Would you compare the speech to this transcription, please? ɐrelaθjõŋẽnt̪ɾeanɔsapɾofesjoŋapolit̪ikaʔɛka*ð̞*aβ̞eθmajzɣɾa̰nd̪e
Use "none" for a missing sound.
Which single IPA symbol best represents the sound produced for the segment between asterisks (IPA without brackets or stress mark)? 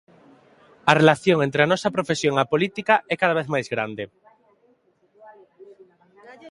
ð̞